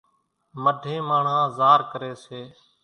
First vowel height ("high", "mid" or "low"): mid